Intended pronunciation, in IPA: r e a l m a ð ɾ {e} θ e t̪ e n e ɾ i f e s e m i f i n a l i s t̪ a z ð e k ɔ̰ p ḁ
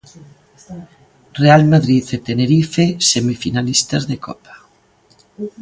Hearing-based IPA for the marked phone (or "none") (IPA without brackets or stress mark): i